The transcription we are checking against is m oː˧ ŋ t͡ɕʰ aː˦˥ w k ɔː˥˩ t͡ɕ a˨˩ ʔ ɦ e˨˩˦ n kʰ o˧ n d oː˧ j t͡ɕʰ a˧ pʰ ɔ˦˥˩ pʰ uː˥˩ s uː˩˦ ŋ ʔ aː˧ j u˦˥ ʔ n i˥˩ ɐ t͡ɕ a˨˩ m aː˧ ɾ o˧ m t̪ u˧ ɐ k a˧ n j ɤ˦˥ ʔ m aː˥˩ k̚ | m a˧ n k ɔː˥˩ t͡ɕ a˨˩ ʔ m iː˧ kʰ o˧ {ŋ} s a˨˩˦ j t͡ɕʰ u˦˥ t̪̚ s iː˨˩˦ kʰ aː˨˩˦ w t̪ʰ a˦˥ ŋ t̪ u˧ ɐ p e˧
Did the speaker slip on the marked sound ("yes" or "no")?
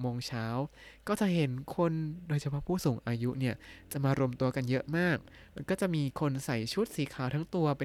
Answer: yes